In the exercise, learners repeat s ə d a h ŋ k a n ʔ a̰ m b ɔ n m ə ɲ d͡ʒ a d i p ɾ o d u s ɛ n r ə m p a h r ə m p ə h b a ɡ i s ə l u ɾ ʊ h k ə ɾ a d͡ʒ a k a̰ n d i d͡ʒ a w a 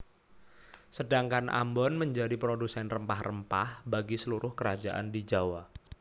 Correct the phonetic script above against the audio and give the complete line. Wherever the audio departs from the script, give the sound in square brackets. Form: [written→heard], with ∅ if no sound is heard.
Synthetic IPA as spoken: s ə d a [h→∅] ŋ k a n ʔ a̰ m b ɔ n m ə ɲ d͡ʒ a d i p ɾ o d u s ɛ n r ə m p a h r ə m p [ə→a] h b a ɡ i s ə l u ɾ ʊ h k ə ɾ a d͡ʒ a [k→ʔ] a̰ n d i d͡ʒ a w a